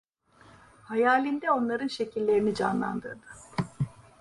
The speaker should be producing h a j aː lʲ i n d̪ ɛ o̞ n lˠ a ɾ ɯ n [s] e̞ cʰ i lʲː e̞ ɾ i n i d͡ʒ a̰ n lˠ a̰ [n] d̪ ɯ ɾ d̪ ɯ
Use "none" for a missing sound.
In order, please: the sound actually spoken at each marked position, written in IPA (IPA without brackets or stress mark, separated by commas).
ʃ, n